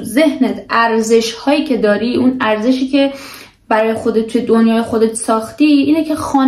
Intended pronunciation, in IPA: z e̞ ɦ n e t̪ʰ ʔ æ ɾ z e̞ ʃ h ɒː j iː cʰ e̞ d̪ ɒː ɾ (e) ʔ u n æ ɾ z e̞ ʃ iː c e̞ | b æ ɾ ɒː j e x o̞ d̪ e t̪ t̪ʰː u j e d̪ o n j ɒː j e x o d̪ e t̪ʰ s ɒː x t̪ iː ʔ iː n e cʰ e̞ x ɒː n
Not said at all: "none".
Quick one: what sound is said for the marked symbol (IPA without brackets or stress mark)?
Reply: i